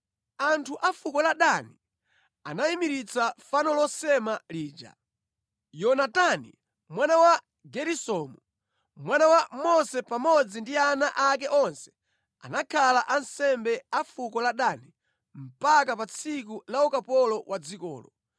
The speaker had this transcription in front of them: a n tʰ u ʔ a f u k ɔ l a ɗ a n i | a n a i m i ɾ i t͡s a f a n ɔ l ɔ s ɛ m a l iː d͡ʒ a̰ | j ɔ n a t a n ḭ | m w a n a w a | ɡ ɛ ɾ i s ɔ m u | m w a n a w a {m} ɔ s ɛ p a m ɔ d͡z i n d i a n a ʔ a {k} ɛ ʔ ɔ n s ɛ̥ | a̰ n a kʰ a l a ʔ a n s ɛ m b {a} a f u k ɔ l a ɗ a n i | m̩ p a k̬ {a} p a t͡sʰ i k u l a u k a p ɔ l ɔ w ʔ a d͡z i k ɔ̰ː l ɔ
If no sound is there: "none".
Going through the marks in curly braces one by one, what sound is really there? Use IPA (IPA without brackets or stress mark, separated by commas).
m, k, ɛ, a